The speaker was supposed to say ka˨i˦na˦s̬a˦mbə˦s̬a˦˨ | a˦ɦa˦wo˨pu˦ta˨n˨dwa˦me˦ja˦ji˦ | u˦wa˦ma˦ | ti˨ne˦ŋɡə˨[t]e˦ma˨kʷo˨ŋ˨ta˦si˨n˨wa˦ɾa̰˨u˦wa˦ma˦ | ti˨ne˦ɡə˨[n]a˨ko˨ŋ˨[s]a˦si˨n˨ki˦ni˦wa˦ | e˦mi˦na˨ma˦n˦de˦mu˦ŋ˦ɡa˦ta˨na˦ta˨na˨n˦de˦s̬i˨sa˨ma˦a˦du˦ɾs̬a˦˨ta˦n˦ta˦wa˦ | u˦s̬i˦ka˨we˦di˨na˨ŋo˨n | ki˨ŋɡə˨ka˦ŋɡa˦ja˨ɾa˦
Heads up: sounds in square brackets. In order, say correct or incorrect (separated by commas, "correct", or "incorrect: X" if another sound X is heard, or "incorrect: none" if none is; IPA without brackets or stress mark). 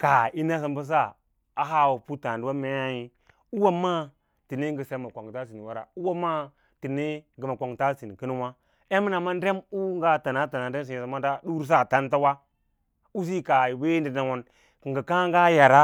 incorrect: s, incorrect: m, incorrect: t